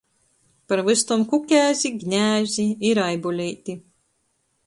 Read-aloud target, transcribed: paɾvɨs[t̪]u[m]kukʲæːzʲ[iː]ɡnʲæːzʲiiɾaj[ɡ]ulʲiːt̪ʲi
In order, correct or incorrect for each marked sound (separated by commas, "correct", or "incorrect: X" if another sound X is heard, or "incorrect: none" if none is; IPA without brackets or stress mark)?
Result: correct, correct, incorrect: i, incorrect: b